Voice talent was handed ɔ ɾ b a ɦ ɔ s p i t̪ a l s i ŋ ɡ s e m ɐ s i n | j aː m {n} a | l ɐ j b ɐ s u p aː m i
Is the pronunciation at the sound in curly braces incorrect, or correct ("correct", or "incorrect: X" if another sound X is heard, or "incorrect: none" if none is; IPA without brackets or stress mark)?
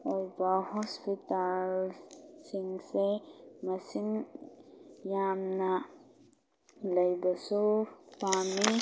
correct